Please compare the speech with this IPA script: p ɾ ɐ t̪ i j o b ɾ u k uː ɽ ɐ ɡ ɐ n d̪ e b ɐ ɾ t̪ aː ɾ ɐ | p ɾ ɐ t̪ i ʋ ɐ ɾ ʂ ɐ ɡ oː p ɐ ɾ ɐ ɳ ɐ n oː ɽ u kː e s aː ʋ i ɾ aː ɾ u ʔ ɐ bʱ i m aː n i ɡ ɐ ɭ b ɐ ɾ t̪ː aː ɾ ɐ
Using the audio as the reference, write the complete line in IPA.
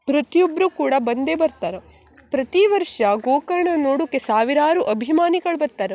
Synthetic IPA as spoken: p ɾ ɐ t̪ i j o b ɾ u k uː ɽ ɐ b ɐ n d̪ e b ɐ ɾ t̪ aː ɾ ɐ | p ɾ ɐ t̪ i ʋ ɐ ɾ ʂ ɐ ɡ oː k ɐ ɾ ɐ ɳ ɐ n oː ɽ u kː e s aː ʋ i ɾ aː ɾ u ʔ ɐ bʱ i m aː n i ɡ ɐ ɭ b ɐ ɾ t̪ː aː ɾ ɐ